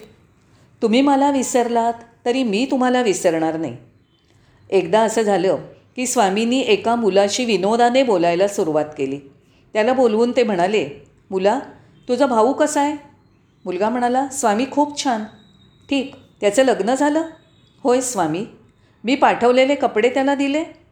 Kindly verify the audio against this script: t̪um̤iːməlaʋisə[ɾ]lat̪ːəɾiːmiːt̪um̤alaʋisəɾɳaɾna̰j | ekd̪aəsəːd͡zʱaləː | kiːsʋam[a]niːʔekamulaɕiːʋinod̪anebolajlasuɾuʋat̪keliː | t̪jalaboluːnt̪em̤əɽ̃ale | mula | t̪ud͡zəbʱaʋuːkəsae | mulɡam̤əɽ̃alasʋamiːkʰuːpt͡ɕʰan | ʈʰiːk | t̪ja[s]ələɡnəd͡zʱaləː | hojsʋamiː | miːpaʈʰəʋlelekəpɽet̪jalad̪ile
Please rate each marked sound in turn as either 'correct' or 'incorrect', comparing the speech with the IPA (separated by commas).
correct, incorrect, incorrect